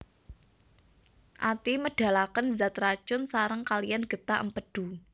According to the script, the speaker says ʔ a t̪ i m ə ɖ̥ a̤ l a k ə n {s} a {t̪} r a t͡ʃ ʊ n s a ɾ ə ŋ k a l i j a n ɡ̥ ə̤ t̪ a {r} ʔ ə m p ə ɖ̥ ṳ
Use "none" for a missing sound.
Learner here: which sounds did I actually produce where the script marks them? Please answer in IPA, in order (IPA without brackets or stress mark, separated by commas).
z, t̪, none